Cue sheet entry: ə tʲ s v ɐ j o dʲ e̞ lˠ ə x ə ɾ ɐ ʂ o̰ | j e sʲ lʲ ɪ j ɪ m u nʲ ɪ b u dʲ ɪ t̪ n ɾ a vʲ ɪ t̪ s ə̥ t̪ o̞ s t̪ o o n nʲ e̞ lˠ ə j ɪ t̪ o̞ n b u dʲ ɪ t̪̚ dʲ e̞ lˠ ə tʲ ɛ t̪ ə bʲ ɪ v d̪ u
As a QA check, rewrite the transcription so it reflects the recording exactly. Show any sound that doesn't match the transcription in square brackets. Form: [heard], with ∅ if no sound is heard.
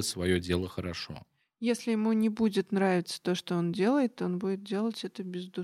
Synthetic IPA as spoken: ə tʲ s v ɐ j o dʲ e̞ lˠ ə x ə ɾ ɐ ʂ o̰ | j e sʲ lʲ ɪ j ɪ m u nʲ ɪ b u dʲ ɪ t̪ n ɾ a vʲ ɪ t̪ s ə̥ t̪ o̞ [ʂ] t̪ o o n [dʲ] e̞ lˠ ə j ɪ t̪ o̞ n b u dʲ ɪ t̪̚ dʲ e̞ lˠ ə tʲ ɛ t̪ ə bʲ ɪ [z] d̪ u